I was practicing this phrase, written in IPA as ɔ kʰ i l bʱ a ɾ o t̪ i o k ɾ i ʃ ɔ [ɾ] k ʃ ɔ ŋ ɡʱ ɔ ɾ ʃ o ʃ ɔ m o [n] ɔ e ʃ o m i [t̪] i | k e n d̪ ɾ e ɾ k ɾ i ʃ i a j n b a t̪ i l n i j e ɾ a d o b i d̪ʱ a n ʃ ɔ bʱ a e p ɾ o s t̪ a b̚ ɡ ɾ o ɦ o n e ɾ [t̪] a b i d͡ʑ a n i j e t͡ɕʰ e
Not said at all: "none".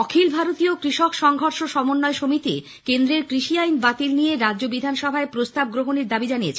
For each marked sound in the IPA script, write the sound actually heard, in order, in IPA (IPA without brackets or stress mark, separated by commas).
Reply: none, nː, t̪, d̪